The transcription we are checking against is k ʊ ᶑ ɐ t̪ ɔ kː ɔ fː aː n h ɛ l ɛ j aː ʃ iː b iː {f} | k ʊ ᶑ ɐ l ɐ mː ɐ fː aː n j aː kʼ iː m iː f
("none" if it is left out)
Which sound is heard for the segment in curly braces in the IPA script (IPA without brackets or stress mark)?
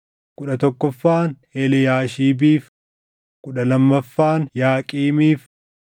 f